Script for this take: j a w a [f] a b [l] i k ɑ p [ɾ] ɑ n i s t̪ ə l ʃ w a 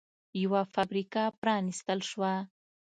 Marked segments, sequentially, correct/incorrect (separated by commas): correct, incorrect, correct